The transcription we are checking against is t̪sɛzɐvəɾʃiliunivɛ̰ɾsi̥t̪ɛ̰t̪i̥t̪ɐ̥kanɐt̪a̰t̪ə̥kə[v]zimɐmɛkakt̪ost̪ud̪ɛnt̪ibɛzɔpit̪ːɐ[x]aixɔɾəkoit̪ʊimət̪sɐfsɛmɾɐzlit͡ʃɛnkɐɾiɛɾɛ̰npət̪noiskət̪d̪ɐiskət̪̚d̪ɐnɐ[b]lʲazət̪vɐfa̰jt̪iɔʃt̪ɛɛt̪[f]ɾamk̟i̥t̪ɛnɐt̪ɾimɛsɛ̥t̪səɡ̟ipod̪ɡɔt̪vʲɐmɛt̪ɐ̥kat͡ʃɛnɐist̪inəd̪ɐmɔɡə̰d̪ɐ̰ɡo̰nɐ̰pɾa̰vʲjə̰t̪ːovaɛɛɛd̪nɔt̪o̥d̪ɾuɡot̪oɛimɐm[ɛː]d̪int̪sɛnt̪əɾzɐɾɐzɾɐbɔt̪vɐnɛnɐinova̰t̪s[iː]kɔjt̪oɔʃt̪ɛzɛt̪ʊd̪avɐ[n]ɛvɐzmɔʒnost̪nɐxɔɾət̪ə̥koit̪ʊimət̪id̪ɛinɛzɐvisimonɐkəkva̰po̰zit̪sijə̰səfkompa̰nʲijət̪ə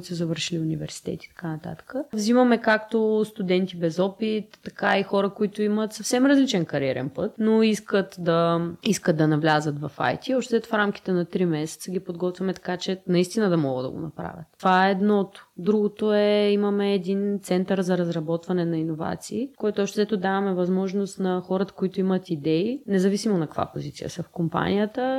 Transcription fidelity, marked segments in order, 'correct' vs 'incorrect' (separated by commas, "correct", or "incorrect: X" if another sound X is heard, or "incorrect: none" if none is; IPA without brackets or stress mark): correct, incorrect: k, incorrect: v, correct, correct, correct, incorrect: m